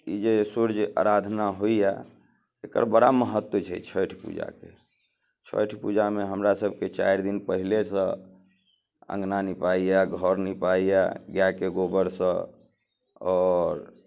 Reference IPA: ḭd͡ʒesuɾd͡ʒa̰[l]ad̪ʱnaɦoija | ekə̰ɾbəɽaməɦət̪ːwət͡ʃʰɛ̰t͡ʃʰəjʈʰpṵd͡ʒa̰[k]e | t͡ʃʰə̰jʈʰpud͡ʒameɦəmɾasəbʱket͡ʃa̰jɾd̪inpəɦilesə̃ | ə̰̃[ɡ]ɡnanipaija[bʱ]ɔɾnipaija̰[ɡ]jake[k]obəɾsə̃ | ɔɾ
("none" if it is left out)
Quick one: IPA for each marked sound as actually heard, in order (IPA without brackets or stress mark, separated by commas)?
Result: ɾ, k, ŋ, ɡʱ, ɡ, ɡ